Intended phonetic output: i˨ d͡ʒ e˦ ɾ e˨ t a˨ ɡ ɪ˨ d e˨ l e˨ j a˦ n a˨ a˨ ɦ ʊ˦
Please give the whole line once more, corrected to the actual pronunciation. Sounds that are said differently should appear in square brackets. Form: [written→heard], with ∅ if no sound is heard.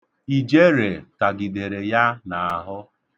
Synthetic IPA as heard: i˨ d͡ʒ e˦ ɾ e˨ t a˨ ɡ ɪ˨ d e˨ [l→ɾ] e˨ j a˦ n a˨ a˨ ɦ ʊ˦